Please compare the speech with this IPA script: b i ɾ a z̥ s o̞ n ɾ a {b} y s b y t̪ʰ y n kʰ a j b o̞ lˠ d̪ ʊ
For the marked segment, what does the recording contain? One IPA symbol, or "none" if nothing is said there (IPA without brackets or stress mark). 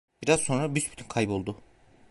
b